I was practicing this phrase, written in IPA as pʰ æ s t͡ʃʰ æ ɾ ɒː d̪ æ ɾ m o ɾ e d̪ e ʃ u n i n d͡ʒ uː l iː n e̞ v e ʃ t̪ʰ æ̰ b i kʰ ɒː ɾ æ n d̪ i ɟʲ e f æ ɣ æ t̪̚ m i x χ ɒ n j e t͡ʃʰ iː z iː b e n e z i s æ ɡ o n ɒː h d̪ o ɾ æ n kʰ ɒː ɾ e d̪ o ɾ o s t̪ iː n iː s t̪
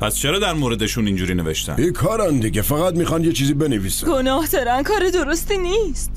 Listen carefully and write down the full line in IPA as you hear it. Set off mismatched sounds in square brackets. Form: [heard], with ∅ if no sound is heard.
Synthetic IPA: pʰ æ s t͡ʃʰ [e] ɾ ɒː d̪ æ ɾ m o ɾ e d̪ e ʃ u n i n d͡ʒ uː [ɾ] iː n e̞ v e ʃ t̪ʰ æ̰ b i kʰ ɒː ɾ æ n d̪ i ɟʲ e f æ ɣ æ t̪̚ m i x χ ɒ n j e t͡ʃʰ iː z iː b e n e [v] i s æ ɡ o n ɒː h d̪ [ɒ] ɾ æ n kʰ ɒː ɾ e d̪ o ɾ o s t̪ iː n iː s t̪